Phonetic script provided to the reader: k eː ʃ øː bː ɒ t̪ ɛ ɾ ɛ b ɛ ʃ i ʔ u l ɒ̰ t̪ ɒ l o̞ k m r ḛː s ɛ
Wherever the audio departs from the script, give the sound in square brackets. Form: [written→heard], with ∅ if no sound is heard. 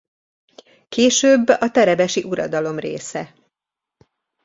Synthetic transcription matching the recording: k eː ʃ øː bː ɒ t̪ ɛ ɾ ɛ b ɛ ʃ i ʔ u [l→ɾ] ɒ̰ [t̪→d̪] ɒ l o̞ [k→∅] m r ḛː s ɛ